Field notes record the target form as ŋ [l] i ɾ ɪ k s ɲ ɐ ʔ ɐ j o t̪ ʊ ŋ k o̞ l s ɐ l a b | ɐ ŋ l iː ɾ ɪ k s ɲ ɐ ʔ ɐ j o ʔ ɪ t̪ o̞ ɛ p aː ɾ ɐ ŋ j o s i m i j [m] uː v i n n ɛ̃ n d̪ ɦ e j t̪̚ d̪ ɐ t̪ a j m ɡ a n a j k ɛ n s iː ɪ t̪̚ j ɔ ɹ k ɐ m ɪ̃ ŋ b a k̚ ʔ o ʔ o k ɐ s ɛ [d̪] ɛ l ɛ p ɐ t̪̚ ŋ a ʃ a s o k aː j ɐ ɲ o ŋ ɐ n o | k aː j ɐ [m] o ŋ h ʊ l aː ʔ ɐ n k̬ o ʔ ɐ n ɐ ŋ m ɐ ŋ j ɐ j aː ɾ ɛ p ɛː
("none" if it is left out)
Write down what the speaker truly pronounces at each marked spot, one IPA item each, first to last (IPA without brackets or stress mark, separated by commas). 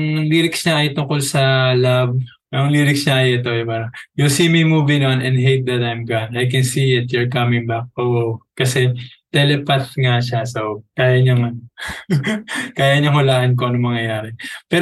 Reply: l, m, t̪, ɲ